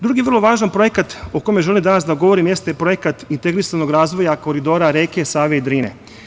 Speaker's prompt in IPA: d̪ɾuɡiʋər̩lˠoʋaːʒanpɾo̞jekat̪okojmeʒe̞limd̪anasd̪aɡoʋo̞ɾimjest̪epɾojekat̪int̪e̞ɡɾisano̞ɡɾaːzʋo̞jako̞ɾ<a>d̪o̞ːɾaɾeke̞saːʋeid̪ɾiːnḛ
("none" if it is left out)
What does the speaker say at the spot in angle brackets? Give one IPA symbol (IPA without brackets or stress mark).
i